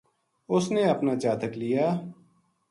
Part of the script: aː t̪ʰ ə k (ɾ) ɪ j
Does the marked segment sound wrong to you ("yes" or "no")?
yes